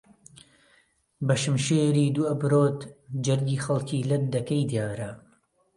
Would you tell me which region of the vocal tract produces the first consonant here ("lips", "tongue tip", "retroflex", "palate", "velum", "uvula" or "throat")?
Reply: lips